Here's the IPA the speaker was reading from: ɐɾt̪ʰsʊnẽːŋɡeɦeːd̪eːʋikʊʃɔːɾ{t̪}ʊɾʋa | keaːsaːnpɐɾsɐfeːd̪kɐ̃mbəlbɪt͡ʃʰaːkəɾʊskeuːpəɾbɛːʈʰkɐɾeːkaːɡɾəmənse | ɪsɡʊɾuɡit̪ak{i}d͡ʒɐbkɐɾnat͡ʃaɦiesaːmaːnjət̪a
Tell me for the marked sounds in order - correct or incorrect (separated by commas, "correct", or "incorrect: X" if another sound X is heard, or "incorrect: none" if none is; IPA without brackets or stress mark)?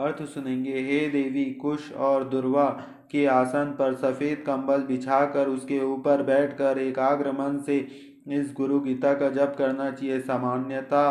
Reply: incorrect: d̪, incorrect: a